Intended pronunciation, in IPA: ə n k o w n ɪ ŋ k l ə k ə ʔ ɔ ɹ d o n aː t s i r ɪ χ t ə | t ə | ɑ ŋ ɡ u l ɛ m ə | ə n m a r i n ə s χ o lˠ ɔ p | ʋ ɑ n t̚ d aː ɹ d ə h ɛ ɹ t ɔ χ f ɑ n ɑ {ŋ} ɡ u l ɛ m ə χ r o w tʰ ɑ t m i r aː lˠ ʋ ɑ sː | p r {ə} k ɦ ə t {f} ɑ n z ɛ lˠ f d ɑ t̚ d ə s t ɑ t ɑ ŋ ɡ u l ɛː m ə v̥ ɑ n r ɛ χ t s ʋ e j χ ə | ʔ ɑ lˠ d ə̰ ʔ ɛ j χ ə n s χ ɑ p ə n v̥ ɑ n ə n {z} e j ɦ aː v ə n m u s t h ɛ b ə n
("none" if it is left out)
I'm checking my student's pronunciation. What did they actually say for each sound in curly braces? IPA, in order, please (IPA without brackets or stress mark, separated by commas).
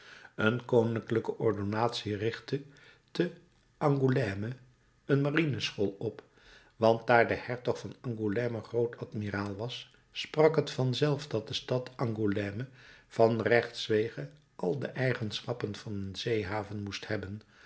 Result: ŋ, ɑ, f, z